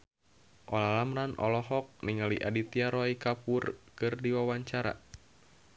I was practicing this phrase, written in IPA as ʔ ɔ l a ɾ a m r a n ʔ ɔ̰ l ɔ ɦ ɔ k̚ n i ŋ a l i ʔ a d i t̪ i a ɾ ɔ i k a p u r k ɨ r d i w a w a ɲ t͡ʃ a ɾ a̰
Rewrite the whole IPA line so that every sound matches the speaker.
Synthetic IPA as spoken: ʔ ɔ l a l a m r a n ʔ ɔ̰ l ɔ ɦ ɔ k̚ n i ŋ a l i ʔ a d i t̪ i a ɾ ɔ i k a p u r k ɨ r d i w a w a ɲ t͡ʃ a ɾ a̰